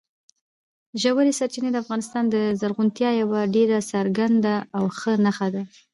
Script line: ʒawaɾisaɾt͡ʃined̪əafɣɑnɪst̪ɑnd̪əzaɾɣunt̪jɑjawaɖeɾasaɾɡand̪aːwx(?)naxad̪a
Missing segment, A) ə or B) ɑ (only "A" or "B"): A